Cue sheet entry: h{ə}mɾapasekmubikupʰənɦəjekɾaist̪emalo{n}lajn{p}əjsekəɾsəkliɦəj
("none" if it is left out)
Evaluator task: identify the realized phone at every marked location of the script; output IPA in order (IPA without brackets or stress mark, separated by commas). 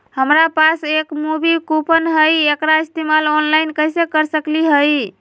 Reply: ə, n, k